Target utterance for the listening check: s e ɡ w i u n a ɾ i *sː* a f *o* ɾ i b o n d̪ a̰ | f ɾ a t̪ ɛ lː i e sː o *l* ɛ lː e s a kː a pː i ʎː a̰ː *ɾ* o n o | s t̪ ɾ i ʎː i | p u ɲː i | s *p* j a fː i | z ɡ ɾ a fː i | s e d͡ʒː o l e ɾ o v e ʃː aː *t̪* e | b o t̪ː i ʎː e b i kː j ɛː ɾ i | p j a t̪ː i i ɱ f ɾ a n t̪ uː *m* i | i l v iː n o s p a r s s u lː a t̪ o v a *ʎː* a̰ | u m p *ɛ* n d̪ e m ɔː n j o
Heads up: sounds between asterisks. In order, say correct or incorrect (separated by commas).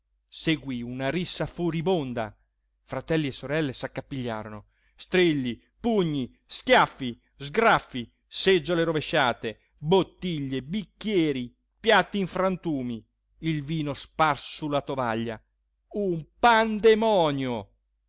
correct, incorrect, incorrect, correct, incorrect, correct, correct, correct, incorrect